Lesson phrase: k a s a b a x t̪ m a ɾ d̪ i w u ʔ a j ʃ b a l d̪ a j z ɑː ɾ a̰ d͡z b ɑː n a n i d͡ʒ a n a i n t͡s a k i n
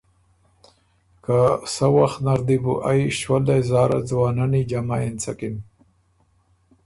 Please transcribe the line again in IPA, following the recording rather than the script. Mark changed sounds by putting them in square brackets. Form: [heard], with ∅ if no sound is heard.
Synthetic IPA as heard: k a s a [w] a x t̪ [n] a ɾ d̪ i [b] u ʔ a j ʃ [w] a l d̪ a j z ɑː ɾ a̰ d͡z [w] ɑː n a n i d͡ʒ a [m] a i n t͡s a k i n